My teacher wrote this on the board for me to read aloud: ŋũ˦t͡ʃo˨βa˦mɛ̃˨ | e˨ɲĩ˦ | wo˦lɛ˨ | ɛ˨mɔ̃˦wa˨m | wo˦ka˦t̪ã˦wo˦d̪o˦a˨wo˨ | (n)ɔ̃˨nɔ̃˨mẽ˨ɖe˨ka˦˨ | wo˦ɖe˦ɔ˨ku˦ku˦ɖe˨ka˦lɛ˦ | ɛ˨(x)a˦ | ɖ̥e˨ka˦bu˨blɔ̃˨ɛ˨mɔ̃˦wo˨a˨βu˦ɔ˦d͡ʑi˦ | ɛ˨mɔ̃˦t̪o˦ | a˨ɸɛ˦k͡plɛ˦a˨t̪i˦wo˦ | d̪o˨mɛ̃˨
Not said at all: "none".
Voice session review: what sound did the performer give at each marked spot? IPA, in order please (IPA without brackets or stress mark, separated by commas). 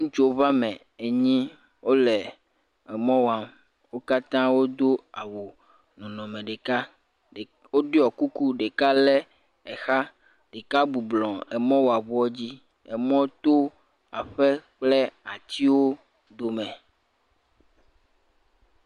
n, x